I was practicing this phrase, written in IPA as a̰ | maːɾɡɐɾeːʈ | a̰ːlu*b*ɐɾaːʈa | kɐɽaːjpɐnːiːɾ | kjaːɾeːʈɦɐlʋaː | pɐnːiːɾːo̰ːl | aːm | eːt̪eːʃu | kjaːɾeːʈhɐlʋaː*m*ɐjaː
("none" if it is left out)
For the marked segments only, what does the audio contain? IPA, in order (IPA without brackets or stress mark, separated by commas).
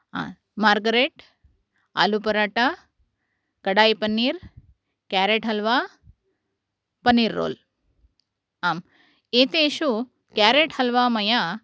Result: p, m